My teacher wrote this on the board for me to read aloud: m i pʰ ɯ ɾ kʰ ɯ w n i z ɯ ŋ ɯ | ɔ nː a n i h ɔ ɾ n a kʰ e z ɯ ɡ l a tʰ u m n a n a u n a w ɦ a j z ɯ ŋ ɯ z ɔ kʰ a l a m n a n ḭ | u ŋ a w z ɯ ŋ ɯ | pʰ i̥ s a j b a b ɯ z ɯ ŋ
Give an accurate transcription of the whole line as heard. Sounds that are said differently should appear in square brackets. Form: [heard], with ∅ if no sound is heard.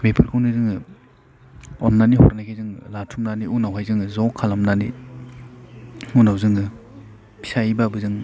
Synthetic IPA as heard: m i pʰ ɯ ɾ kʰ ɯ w n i z ɯ ŋ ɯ | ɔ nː a n i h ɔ ɾ n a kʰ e z ɯ [ŋ] l a tʰ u m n a n [i] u n a w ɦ a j z ɯ ŋ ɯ z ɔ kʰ a l a m n a n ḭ | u [n] a w z ɯ ŋ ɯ | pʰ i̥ s a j b a b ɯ z ɯ ŋ